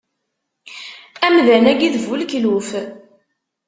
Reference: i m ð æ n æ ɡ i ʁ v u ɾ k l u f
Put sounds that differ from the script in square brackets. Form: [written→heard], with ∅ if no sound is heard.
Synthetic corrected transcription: [i→æ] m ð æ n æ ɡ i [ʁ→ð] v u [ɾ→l] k l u f